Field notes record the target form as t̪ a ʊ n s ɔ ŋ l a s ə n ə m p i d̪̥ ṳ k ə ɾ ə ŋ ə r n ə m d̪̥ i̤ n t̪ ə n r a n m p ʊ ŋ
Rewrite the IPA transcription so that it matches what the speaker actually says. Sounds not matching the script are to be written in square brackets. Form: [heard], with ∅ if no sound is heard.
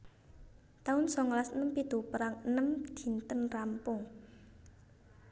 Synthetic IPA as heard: t̪ a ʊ n s ɔ ŋ l a s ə n ə m p i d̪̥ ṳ [p] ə ɾ [a] ŋ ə [∅] n ə m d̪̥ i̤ n t̪ ə n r a [∅] m p ʊ ŋ